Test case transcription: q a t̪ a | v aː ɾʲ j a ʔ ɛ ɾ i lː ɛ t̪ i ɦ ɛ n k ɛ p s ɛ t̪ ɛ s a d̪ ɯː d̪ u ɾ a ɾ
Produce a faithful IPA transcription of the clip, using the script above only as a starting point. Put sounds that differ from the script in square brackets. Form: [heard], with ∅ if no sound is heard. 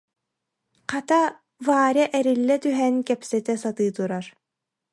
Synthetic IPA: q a t̪ a | v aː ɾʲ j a ʔ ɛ ɾ i lː ɛ t̪ [y] ɦ ɛ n k ɛ p s ɛ t̪ ɛ s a [t̪] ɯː [t̪] u ɾ a ɾ